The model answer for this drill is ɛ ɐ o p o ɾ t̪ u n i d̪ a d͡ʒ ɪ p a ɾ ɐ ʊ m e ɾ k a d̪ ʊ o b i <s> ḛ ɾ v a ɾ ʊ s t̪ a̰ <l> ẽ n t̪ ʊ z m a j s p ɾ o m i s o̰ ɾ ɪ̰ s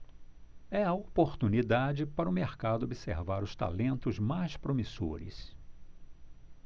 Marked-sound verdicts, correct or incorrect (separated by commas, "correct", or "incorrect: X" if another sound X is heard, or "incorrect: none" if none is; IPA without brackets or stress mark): correct, correct